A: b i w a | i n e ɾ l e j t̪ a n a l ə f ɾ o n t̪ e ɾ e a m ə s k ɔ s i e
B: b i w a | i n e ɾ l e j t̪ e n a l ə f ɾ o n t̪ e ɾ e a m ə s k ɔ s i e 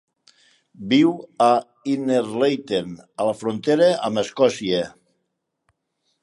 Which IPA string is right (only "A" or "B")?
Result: B